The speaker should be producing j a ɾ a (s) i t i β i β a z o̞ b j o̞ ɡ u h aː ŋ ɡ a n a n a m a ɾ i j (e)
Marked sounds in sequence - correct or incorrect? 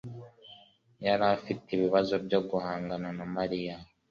incorrect, incorrect

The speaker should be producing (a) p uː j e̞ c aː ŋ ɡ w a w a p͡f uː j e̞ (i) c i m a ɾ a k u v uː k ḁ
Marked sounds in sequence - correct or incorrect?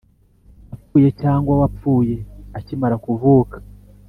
correct, incorrect

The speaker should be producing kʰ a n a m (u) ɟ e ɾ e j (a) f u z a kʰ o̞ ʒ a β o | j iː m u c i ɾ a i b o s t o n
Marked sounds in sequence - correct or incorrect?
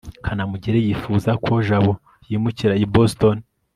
correct, incorrect

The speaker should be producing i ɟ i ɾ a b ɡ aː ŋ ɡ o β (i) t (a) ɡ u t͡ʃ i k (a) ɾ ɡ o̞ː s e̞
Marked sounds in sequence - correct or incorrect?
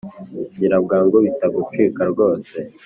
correct, correct, correct

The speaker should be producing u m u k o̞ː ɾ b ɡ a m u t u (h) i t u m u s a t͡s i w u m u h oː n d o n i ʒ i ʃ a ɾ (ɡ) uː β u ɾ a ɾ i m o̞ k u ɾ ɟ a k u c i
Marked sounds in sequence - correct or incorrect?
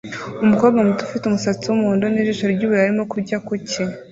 incorrect, incorrect

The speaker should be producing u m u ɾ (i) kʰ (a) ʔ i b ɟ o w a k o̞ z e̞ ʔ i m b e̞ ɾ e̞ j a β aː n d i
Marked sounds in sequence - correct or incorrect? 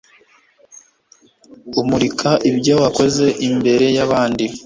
correct, correct

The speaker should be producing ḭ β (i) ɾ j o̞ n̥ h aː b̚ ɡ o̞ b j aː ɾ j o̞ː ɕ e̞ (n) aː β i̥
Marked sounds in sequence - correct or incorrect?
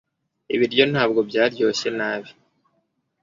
correct, correct

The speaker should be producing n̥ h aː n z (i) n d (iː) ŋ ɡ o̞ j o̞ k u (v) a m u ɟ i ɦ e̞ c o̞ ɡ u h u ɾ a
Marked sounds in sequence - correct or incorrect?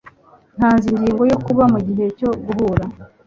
correct, correct, incorrect

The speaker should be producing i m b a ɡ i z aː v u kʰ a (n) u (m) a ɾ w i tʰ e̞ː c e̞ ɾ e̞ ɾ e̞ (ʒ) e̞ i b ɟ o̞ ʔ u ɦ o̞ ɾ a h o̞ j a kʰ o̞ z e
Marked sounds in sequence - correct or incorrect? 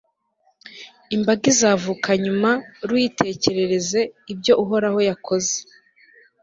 incorrect, correct, incorrect

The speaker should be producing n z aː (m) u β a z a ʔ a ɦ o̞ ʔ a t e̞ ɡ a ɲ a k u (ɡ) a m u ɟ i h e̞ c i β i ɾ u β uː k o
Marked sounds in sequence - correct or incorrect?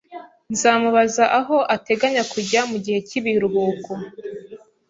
correct, incorrect

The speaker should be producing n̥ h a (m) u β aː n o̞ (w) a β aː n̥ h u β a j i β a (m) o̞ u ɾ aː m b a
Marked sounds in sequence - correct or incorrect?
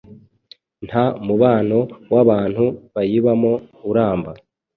correct, correct, correct

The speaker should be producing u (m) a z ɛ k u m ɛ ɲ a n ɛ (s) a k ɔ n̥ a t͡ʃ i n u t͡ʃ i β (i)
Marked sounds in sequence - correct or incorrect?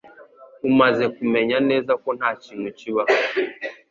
correct, incorrect, incorrect

